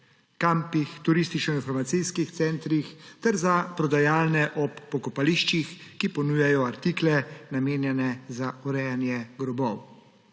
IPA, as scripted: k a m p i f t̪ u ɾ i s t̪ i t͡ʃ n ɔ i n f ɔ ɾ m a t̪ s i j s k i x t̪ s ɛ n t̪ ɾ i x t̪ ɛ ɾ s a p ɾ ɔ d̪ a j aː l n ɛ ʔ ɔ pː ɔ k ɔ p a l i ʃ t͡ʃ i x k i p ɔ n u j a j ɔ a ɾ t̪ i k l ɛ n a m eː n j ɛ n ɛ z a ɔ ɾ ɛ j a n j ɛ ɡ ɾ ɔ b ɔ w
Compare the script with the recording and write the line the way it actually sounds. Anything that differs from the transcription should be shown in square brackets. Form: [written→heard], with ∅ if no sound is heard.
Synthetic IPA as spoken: k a m p i [f→x] t̪ u ɾ i s t̪ i t͡ʃ n ɔ i n f ɔ ɾ m a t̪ s i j s k i x t̪ s ɛ n t̪ ɾ i x t̪ ɛ ɾ [s→z] a p ɾ ɔ d̪ a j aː l n ɛ ʔ ɔ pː ɔ k ɔ p a l i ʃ t͡ʃ i x k i p ɔ n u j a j ɔ a ɾ t̪ i k l ɛ n a m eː n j ɛ n ɛ z a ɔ ɾ ɛ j a n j ɛ ɡ ɾ ɔ b ɔ w